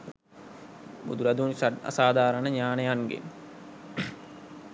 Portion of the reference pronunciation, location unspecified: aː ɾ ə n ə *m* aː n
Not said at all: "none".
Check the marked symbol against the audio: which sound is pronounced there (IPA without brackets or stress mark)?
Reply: ɲ